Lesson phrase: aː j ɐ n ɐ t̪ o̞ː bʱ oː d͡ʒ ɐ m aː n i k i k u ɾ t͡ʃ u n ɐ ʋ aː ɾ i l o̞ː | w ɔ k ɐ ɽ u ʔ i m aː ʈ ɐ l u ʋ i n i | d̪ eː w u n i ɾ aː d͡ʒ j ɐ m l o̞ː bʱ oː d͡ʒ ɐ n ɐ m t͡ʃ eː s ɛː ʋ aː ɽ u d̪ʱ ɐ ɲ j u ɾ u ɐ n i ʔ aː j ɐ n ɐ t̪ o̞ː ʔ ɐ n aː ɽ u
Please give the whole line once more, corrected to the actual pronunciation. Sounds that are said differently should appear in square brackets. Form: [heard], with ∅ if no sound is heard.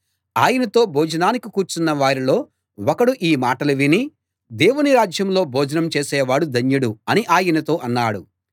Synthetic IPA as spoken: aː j ɐ n ɐ t̪ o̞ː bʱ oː d͡ʒ ɐ [n] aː n i k i k [uː] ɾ t͡ʃ u [nː] ɐ ʋ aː ɾ i l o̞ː | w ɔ k ɐ ɽ u ʔ [iː] m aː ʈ ɐ l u ʋ i n i | d̪ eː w u n i ɾ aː d͡ʒ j ɐ m l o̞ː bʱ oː d͡ʒ ɐ n ɐ m t͡ʃ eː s ɛː ʋ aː ɽ u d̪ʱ ɐ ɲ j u [ɽ] u ɐ n i ʔ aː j ɐ n ɐ t̪ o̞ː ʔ ɐ [nː] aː ɽ u

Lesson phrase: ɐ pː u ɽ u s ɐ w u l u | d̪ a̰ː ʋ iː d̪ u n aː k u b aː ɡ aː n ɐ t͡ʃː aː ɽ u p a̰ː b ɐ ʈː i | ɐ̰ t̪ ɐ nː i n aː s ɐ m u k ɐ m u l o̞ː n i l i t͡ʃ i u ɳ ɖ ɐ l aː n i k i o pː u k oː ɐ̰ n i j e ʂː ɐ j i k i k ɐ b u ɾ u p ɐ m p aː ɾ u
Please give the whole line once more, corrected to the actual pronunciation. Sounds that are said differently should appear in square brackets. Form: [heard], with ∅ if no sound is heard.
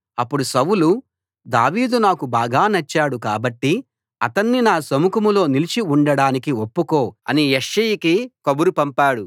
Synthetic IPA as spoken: ɐ pː u ɽ u s ɐ w u l u | d̪ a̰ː ʋ iː d̪ u n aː k u b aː ɡ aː n ɐ t͡ʃː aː ɽ u [k] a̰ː b ɐ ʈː i | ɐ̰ t̪ ɐ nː i n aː s ɐ m u k ɐ m u l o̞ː n i l i t͡ʃ i u ɳ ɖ ɐ [ɽ] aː n i k i o pː u k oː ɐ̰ n i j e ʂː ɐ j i k i k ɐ b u ɾ u p ɐ m p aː [ɽ] u

